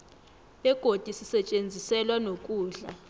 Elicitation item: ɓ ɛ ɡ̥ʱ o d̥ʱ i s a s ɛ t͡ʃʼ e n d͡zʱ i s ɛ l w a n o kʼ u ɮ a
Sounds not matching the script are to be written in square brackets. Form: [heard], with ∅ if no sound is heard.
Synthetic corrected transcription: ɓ ɛ ɡ̥ʱ o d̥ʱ i s [i] s ɛ t͡ʃʼ e n d͡zʱ i s ɛ l w a n o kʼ [uː] ɮ a